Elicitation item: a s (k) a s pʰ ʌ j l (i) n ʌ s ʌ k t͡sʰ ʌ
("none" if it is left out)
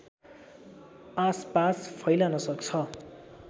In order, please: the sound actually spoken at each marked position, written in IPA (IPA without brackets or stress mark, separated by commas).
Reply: p, a